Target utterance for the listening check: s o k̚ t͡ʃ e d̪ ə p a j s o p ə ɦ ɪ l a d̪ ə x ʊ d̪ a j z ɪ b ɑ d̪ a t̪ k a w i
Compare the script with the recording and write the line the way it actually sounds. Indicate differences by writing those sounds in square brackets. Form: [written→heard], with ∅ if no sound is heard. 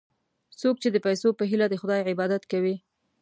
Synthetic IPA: s o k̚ t͡ʃ e d̪ ə p a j s o p ə ɦ [ɪ→i] l a d̪ ə x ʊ d̪ [a→ɑ] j [z→ʕ] ɪ b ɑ d̪ a t̪ k a w i